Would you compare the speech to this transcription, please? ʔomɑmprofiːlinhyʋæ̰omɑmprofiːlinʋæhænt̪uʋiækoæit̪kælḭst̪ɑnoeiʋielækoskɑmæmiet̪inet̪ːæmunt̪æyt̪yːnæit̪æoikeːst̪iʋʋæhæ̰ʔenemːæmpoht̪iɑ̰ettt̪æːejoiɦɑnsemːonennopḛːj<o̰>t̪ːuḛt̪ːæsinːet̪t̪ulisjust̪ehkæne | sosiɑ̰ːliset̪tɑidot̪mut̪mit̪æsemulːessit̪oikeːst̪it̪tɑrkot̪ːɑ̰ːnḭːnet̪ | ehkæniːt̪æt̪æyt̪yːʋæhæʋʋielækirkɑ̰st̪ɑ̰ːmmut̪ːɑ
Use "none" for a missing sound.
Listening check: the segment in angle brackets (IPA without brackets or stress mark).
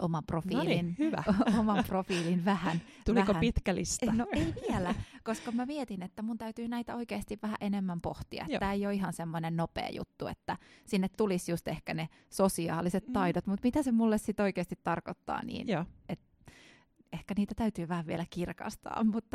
ṵ